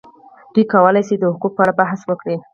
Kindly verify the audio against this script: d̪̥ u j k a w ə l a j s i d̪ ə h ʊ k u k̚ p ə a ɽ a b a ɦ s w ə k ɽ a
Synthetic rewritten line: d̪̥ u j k a w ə l a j s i d̪ ə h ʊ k u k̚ p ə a ɽ a b a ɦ s w ə k ɽ i